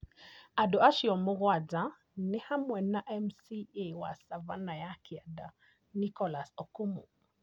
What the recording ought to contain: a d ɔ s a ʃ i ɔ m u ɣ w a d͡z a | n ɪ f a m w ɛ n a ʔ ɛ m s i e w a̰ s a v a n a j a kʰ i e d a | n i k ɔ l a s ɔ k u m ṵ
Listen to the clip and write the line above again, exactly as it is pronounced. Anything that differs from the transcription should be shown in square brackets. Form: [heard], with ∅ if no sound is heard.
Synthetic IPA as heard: a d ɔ [∅] a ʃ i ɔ m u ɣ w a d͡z a | n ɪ [h] a m w ɛ n a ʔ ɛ m s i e w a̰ s a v a n a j a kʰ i [a] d a | n i k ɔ l a s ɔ k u m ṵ